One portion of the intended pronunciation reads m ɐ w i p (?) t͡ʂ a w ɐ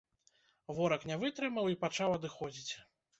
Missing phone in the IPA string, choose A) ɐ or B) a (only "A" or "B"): B